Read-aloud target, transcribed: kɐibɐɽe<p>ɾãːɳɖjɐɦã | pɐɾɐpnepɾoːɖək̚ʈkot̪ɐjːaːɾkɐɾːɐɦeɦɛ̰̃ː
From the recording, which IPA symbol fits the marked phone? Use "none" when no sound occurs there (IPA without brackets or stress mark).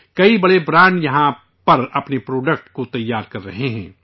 b